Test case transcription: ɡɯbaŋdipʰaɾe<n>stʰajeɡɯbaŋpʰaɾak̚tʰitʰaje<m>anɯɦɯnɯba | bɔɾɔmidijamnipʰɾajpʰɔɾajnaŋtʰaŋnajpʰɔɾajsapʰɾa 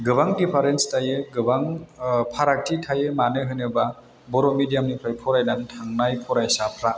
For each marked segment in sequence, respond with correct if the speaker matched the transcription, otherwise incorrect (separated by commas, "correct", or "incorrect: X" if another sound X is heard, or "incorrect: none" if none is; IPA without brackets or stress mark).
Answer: correct, correct